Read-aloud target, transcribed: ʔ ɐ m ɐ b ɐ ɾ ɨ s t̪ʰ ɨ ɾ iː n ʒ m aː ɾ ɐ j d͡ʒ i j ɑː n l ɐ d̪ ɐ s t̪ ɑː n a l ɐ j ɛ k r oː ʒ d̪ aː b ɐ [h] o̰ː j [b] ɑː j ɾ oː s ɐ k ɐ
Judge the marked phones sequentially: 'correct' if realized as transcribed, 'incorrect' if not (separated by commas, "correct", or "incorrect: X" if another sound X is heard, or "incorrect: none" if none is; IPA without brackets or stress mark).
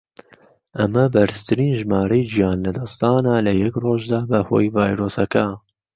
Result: correct, incorrect: v